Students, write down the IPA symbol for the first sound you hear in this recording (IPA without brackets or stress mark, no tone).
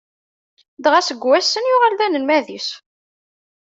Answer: d̪